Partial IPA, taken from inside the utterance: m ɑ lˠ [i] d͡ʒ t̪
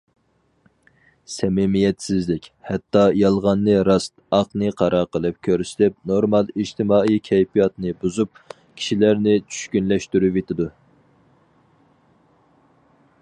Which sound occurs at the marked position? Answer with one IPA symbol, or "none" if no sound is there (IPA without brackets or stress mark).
i